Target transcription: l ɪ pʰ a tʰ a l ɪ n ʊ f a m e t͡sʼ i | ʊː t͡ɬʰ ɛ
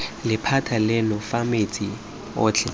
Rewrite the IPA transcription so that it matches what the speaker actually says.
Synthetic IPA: l ɪ pʰ a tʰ a l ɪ n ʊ f a m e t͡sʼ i | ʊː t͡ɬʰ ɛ

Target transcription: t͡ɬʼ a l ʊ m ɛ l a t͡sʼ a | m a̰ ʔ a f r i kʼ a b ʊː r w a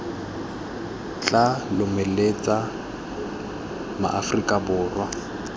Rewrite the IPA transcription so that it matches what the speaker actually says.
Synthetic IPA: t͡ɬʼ a l ʊ m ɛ l e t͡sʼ a | m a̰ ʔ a f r i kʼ a b ʊː r w a

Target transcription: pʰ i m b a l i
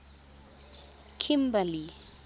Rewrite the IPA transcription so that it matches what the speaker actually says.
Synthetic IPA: kʰ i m b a l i

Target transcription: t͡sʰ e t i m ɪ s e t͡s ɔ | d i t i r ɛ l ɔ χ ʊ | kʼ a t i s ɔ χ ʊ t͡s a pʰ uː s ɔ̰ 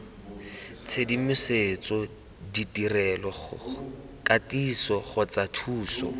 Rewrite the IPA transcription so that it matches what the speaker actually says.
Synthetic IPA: t͡sʰ e d i m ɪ s e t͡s ɔ | d i t i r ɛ l ɔ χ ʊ | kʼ a t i s ɔ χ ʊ t͡s a tʰ uː s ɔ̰

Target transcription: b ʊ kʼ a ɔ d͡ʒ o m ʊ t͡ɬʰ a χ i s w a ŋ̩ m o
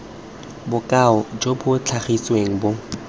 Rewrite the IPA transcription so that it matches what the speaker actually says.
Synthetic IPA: b ʊ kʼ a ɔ d͡ʒ o b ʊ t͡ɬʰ a χ i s w e ŋ̩ b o

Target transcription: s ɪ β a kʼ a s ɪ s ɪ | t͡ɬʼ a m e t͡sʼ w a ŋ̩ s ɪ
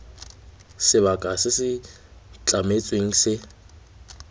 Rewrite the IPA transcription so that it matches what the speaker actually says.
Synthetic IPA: s ɪ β a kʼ a s ɪ s ɪ | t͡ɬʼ a m e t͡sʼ w e ŋ̩ s ɪ

